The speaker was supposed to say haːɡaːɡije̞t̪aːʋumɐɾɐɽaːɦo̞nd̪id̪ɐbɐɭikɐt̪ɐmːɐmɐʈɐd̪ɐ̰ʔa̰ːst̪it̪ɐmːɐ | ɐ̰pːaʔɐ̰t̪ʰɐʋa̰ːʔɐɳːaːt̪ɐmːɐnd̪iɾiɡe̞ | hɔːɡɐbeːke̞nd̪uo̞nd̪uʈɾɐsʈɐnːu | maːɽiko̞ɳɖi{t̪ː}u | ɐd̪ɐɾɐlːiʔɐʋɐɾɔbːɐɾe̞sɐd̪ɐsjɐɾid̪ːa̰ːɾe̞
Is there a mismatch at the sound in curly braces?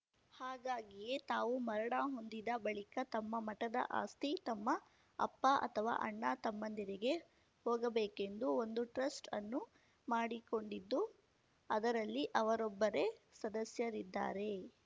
yes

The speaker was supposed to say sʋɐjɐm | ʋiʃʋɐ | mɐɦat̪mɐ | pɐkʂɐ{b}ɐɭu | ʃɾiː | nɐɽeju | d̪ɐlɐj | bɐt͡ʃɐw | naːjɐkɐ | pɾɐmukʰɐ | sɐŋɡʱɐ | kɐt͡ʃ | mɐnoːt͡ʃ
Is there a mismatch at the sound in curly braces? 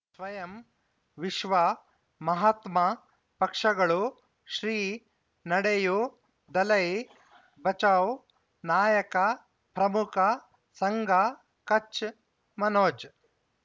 yes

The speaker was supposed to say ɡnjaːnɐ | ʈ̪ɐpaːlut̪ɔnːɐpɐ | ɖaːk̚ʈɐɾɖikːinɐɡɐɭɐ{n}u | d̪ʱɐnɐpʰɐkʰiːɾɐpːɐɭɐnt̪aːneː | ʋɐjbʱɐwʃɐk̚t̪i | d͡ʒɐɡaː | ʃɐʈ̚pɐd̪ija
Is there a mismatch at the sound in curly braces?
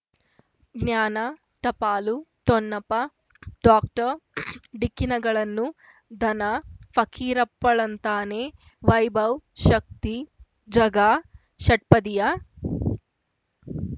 yes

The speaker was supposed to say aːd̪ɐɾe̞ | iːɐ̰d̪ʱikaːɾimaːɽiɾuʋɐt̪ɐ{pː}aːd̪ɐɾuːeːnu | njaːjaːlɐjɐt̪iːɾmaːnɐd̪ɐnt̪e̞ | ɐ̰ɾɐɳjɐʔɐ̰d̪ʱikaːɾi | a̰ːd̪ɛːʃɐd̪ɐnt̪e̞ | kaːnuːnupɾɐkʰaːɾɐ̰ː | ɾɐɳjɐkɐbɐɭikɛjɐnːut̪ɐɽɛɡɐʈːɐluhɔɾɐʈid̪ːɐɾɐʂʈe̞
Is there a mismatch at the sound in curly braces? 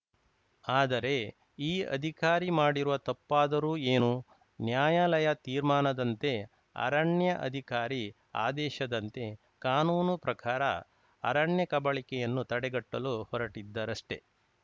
no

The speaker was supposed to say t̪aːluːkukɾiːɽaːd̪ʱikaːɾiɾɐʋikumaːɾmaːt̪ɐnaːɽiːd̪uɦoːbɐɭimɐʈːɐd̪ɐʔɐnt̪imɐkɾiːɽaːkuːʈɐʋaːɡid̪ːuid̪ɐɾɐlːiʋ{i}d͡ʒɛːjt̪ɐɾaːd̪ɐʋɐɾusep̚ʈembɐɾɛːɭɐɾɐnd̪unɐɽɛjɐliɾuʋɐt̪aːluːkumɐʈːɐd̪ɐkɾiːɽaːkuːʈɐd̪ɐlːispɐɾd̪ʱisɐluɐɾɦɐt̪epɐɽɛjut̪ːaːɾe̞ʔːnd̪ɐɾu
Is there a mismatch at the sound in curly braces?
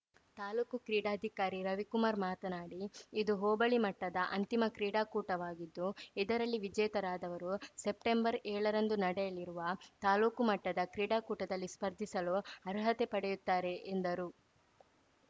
no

